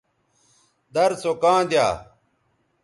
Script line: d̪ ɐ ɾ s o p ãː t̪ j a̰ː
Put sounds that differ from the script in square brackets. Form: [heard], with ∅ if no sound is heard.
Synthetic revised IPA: d̪ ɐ ɾ s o [k] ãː [d̪] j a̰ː